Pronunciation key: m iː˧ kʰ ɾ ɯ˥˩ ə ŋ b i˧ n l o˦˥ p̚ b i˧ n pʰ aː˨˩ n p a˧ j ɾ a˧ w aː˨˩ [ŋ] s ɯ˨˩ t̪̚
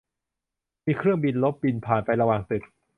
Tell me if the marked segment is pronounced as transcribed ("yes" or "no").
yes